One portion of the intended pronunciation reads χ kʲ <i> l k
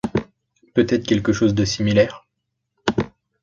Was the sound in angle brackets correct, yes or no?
no